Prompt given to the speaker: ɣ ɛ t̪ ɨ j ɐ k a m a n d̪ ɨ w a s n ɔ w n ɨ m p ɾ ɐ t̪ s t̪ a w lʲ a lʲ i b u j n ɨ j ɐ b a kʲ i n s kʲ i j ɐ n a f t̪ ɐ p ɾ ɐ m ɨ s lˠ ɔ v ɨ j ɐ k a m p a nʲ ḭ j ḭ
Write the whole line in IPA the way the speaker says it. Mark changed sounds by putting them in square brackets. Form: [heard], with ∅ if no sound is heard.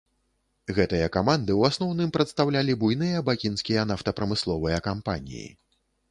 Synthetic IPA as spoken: ɣ ɛ t̪ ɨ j ɐ k a m a n d̪ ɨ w a s n ɔ w n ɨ m p ɾ ɐ t̪ s t̪ a w lʲ a lʲ i b u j n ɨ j ɐ b a kʲ i n s kʲ i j ɐ n a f t̪ ɐ p ɾ ɐ m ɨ s lˠ ɔ v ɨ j ɐ k a m p a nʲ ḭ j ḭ

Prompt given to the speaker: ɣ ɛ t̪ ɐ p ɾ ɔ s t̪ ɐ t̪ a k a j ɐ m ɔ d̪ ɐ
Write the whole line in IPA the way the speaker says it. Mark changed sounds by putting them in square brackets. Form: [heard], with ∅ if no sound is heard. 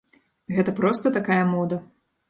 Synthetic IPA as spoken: ɣ ɛ t̪ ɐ p ɾ ɔ s t̪ ɐ t̪ a k a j ɐ m ɔ d̪ ɐ

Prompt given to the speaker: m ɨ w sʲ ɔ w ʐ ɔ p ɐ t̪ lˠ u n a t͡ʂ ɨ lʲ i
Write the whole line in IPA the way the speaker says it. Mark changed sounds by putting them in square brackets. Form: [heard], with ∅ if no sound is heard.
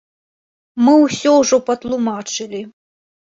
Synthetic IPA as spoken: m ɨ w sʲ ɔ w ʐ ɔ p ɐ t̪ lˠ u [m] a t͡ʂ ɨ lʲ i

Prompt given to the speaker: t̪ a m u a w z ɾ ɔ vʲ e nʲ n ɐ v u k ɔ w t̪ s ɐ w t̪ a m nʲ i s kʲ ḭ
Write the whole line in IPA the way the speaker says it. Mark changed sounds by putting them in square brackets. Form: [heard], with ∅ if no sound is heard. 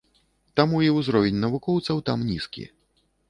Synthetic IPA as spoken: t̪ a m u [i] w z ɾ ɔ vʲ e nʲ n ɐ v u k ɔ w t̪ s ɐ w t̪ a m nʲ i s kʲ ḭ

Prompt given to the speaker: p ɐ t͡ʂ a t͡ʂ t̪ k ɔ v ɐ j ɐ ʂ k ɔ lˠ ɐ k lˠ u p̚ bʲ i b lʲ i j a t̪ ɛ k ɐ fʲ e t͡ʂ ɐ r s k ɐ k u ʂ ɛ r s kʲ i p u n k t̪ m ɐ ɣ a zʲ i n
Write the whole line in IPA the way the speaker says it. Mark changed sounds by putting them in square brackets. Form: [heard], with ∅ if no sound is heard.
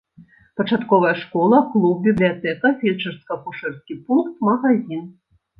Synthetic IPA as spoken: p ɐ t͡ʂ a [∅] t̪ k ɔ v ɐ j ɐ ʂ k ɔ lˠ ɐ k lˠ u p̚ bʲ i b lʲ i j a t̪ ɛ k ɐ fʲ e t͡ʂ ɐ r s k ɐ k u ʂ ɛ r s kʲ i p u n k t̪ m ɐ ɣ a zʲ i n

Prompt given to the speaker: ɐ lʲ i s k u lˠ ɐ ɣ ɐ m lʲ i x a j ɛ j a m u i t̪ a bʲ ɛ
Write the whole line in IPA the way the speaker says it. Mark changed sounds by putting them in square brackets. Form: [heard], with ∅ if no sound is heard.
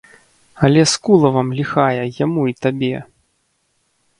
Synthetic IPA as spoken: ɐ lʲ [ɛ] s k u lˠ ɐ [v] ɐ m lʲ i x a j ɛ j a m u i t̪ a bʲ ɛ

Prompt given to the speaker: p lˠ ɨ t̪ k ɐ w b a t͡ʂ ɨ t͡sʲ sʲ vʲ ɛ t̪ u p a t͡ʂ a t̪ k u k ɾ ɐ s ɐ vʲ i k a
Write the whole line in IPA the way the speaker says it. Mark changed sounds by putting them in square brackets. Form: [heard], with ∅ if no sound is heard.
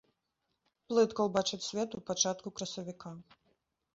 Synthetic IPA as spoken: p lˠ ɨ t̪ k ɐ w b a t͡ʂ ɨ t͡sʲ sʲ vʲ ɛ t̪ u p a t͡ʂ a t̪ k u k ɾ ɐ s ɐ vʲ i k a

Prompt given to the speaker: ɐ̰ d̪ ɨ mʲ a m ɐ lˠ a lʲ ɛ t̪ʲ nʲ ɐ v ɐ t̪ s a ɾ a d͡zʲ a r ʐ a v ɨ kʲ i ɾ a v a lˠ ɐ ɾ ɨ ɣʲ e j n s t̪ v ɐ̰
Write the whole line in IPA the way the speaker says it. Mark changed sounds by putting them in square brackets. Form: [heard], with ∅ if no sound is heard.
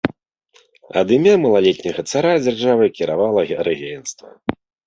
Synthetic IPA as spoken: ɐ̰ d̪ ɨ mʲ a m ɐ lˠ a lʲ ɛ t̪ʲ nʲ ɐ [ɣ] ɐ t̪ s a ɾ a d͡zʲ a r ʐ a v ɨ kʲ i ɾ a v a lˠ ɐ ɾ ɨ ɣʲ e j n s t̪ v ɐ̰

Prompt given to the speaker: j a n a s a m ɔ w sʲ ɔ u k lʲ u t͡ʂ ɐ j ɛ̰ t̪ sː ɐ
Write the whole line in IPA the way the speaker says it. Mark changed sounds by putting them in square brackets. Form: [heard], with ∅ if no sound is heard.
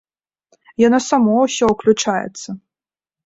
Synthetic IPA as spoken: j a n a s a m ɔ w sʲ ɔ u k lʲ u t͡ʂ [a] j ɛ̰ t̪ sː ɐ

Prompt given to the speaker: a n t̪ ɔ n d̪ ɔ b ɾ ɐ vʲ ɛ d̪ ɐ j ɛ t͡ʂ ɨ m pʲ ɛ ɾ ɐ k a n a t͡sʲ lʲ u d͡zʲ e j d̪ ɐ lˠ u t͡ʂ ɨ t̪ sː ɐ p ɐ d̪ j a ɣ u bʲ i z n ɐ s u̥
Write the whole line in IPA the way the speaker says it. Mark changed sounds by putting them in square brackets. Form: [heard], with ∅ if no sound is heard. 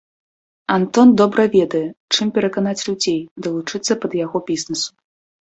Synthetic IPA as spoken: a n t̪ ɔ n d̪ ɔ b ɾ ɐ vʲ ɛ d̪ ɐ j ɛ t͡ʂ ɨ m pʲ ɛ ɾ ɐ k a n a t͡sʲ lʲ u d͡zʲ e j d̪ ɐ lˠ u t͡ʂ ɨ t̪ sː ɐ p ɐ d̪ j a ɣ [ɔ] bʲ i z n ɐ s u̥

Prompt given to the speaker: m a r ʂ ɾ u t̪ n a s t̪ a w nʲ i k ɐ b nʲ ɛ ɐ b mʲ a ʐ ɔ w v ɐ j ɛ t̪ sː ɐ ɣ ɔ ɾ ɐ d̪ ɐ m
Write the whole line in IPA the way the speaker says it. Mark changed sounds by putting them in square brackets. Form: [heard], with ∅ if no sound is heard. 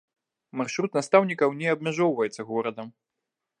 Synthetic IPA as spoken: m a r ʂ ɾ u t̪ n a s t̪ a w nʲ i k ɐ [w] nʲ ɛ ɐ b mʲ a ʐ ɔ w v ɐ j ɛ t̪ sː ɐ ɣ ɔ ɾ ɐ d̪ ɐ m

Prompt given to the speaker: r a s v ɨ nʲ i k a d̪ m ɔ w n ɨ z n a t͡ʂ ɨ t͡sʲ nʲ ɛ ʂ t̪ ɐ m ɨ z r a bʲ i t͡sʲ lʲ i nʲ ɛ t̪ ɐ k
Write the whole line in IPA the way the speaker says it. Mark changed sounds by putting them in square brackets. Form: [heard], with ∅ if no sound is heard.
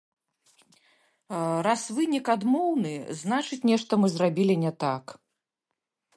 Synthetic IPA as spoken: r a s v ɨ nʲ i k a d̪ m ɔ w n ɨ z n a t͡ʂ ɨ t͡sʲ nʲ ɛ ʂ t̪ ɐ m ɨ z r a bʲ i [∅] lʲ i nʲ ɛ t̪ [a] k

